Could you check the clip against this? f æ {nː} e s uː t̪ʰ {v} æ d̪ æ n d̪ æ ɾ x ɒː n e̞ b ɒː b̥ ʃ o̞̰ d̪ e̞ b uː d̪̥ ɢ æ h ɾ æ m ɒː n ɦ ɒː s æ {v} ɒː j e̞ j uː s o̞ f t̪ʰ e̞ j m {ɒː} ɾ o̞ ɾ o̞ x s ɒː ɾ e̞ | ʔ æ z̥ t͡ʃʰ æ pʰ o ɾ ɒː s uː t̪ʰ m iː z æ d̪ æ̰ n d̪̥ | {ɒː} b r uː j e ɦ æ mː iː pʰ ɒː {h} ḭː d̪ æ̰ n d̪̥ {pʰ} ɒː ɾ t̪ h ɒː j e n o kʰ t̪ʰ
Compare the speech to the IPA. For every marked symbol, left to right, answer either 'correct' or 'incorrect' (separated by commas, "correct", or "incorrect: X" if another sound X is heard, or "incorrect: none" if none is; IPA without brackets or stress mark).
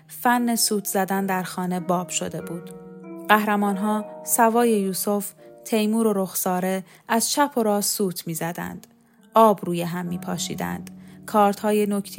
correct, incorrect: z, correct, incorrect: uː, correct, incorrect: ʃ, incorrect: kʰ